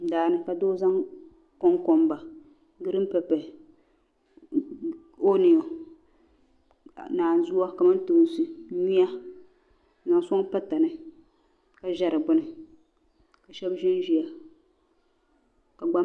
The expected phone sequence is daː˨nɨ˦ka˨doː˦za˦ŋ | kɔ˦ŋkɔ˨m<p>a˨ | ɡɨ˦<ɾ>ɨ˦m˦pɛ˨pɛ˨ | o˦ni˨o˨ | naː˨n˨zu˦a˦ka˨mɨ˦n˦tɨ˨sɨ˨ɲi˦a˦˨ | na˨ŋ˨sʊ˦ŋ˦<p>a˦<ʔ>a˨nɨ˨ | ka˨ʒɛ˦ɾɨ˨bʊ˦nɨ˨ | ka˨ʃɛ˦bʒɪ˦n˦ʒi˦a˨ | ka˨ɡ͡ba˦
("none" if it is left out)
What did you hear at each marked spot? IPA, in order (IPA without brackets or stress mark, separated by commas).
b, ɾ, p, t